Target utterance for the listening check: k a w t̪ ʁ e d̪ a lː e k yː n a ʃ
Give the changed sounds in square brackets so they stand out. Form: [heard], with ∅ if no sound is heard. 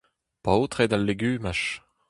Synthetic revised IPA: [p] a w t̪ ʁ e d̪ a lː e [ɡ] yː [m] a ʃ